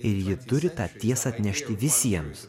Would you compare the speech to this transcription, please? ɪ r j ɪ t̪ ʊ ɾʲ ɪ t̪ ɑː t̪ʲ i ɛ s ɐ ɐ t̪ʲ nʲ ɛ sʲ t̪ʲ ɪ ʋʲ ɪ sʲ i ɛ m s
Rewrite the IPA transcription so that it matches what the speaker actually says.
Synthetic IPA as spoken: ɪ ɾ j ɪ t̪ ʊ ɾʲ ɪ t̪ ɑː t̪ʲ i ɛ s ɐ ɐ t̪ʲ nʲ ɛ ʃʲ t̪ʲ ɪ ʋʲ ɪ sʲ i ɛ m s